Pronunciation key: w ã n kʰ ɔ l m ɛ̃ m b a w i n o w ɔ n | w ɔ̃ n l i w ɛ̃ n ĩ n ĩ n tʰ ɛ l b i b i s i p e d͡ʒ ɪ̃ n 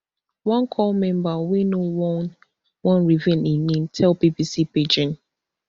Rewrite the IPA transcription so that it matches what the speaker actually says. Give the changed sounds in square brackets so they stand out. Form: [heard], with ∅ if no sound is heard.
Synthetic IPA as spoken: w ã n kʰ ɔ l m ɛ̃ m b a w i n o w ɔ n | w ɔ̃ n [ɹ] i [v] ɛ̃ n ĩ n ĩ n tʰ ɛ l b i b i s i p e d͡ʒ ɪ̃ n